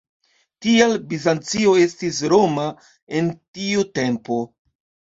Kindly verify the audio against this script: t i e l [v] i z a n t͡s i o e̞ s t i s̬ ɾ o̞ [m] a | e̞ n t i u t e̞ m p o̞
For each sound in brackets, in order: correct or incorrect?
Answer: incorrect: b, correct

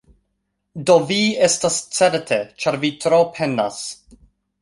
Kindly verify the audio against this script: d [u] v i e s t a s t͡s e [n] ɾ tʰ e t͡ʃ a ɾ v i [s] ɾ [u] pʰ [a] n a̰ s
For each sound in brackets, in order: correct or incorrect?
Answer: incorrect: o, incorrect: none, incorrect: t, incorrect: o, incorrect: e

